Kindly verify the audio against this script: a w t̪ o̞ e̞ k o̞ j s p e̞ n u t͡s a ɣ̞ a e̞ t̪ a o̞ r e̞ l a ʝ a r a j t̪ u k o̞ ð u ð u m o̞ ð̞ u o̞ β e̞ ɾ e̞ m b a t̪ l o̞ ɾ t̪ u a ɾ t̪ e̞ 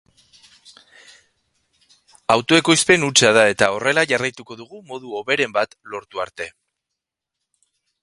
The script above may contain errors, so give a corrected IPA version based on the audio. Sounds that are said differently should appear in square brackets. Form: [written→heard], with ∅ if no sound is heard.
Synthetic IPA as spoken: a w t̪ o̞ e̞ k o̞ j s p e̞ n u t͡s a [ɣ̞→ð̞] a e̞ t̪ a o̞ r e̞ l a ʝ a r a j t̪ u k o̞ ð u [ð→ɣ] u m o̞ ð̞ u o̞ β e̞ ɾ e̞ m b a t̪ l o̞ ɾ t̪ u a ɾ t̪ e̞